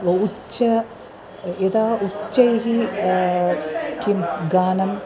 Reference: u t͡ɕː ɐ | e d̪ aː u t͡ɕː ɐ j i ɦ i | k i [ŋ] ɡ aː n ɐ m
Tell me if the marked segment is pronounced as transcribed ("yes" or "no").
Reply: no